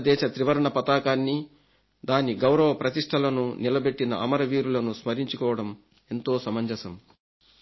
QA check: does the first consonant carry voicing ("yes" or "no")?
yes